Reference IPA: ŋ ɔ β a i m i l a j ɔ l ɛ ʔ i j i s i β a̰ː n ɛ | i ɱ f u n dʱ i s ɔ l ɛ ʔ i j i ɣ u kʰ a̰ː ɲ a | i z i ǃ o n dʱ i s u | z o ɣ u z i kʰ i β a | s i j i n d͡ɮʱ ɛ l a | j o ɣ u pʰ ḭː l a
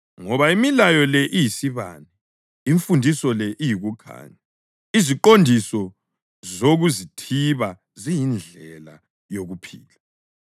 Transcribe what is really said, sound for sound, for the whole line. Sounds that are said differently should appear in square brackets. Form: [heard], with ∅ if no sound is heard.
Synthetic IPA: ŋ ɔ β a i m i l a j ɔ l ɛ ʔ i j i s i β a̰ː n ɛ | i ɱ f u n dʱ i s ɔ l ɛ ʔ i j i ɣ u kʰ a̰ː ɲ a | i z i ǃ o n dʱ i s [ɔ] | z o ɣ u z i [tʰ] i β a | [z] i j i n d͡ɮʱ ɛ l a | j o ɣ u pʰ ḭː l a